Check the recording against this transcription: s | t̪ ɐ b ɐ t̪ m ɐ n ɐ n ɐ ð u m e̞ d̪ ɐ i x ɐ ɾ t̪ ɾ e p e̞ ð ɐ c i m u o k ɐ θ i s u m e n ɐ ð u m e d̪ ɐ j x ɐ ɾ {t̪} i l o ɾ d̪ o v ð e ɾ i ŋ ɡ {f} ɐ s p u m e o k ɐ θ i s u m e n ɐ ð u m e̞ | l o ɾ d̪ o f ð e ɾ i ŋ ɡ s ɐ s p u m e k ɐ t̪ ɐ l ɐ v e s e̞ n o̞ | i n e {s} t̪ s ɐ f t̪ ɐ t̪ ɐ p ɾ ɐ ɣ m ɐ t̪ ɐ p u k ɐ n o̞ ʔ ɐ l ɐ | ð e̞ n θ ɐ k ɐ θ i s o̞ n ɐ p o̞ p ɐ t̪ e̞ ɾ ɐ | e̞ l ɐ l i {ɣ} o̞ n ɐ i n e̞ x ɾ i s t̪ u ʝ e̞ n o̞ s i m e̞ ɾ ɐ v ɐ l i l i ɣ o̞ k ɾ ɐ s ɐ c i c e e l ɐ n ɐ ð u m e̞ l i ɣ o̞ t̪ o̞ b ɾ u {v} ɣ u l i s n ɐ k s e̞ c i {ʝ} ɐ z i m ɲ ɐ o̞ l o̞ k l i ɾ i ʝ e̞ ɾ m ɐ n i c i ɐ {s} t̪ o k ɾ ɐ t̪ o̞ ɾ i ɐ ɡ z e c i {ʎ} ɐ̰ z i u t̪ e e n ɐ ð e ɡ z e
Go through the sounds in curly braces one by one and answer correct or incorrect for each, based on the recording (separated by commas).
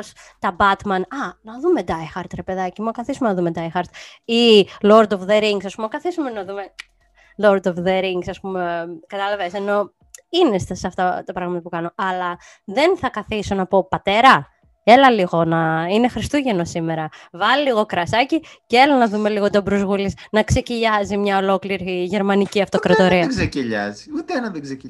correct, incorrect, correct, correct, incorrect, incorrect, incorrect, correct